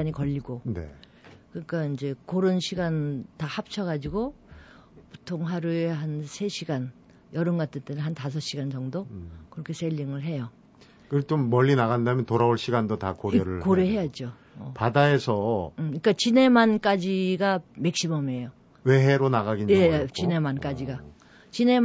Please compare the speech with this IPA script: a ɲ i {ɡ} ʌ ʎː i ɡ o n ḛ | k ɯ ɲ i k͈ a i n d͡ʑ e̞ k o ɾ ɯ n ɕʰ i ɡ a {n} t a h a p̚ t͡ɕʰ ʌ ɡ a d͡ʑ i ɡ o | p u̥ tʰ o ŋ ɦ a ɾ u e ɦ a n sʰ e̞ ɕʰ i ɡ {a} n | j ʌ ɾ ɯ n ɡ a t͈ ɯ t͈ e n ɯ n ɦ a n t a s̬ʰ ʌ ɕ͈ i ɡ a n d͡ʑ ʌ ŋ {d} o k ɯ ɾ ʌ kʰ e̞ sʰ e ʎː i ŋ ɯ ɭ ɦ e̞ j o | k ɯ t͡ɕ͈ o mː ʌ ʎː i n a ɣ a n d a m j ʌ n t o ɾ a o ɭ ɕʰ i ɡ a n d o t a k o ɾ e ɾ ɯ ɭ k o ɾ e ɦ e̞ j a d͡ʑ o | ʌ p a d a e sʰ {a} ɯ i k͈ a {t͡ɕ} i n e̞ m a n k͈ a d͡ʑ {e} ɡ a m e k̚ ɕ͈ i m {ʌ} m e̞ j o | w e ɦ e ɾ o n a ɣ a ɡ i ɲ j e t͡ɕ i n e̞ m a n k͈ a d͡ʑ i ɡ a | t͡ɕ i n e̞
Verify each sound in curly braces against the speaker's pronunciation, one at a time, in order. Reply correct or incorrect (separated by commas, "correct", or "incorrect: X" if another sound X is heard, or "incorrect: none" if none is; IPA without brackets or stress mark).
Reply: incorrect: k, correct, correct, correct, incorrect: ʌ, correct, incorrect: i, correct